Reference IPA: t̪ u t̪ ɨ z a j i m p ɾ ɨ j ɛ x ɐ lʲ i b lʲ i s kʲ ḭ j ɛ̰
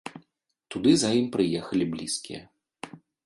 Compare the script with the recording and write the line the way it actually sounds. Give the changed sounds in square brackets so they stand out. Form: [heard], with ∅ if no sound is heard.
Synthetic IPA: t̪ u [d̪] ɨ z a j i m p ɾ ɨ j ɛ x ɐ lʲ i b lʲ i s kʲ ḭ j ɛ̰